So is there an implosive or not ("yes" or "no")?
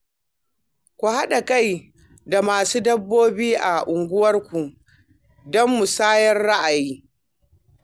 yes